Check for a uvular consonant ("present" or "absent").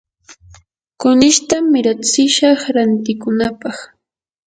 present